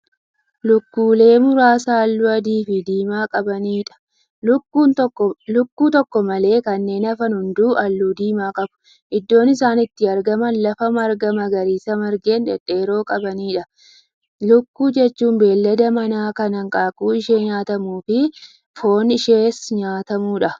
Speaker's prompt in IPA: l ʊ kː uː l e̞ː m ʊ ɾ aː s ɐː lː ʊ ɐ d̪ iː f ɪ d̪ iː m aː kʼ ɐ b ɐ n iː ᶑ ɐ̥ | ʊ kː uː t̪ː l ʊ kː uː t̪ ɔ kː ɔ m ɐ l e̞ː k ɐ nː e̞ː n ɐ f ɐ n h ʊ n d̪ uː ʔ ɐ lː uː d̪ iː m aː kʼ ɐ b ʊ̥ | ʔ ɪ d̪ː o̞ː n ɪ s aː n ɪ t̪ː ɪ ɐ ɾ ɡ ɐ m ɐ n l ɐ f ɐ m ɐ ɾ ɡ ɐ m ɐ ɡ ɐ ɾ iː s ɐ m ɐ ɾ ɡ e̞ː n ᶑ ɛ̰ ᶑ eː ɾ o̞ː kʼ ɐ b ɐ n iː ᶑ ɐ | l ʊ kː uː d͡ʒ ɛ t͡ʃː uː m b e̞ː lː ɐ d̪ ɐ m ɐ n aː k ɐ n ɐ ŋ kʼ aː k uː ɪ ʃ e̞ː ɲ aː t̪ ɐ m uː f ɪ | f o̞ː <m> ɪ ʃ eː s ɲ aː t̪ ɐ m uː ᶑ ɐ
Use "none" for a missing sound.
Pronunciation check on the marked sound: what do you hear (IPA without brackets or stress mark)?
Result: n